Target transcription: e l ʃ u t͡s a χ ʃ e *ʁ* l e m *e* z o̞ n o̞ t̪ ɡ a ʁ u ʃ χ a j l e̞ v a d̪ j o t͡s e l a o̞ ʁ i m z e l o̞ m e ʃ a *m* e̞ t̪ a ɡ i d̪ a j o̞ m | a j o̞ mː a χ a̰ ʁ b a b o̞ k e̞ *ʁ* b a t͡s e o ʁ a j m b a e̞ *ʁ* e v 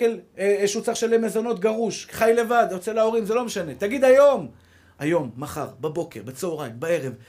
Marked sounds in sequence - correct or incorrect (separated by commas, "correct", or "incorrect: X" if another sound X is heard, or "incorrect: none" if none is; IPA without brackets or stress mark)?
incorrect: none, correct, incorrect: n, correct, correct